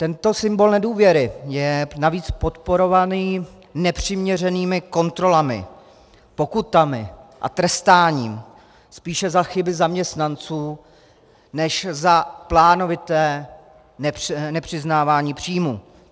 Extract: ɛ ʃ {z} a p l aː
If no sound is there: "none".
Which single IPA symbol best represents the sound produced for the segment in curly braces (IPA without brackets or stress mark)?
z